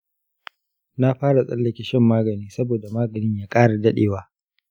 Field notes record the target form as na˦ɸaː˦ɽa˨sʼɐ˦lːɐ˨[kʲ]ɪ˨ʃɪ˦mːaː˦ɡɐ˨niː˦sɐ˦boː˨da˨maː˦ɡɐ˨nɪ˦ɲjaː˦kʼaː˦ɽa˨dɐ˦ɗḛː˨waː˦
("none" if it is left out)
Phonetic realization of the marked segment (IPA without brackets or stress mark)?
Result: kʲ